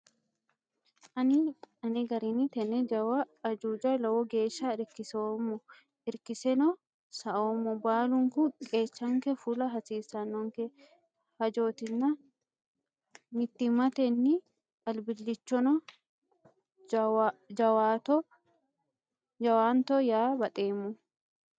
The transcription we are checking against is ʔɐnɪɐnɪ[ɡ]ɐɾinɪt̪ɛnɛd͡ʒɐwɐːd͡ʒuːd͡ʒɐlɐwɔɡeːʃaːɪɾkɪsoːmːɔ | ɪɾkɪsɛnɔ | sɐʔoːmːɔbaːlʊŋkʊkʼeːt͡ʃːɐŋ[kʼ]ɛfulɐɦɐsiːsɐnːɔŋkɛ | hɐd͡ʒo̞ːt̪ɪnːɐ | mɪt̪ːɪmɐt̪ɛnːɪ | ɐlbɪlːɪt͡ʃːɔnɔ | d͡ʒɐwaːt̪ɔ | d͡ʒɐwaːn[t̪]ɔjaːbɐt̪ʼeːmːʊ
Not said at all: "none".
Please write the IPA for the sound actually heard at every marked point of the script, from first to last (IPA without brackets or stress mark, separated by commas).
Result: ɡ, k, t̪